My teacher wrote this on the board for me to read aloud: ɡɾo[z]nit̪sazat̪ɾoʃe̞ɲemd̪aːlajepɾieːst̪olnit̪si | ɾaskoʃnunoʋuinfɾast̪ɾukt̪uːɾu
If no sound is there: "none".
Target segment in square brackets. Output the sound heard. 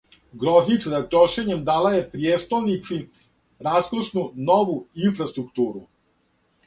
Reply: z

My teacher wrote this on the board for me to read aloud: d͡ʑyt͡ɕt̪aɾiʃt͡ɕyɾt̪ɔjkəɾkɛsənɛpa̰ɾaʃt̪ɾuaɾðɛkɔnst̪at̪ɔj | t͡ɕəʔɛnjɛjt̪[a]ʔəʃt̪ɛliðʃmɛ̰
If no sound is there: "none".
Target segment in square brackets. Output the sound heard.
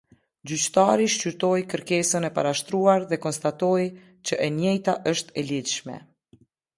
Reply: a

